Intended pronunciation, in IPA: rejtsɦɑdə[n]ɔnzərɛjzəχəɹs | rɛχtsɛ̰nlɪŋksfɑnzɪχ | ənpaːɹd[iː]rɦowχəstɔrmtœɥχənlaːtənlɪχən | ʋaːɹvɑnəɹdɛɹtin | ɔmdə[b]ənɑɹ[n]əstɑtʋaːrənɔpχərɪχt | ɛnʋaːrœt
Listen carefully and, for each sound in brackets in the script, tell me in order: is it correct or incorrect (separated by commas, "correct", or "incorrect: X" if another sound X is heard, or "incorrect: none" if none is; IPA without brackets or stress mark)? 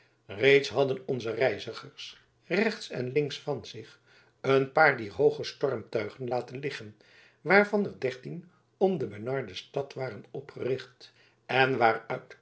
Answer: correct, correct, correct, incorrect: d